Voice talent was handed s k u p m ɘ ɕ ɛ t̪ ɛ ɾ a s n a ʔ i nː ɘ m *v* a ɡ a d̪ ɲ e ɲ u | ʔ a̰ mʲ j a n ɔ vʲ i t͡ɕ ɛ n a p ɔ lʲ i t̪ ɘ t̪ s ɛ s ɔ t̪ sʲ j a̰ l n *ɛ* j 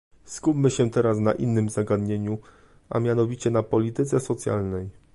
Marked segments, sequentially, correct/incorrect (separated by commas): incorrect, correct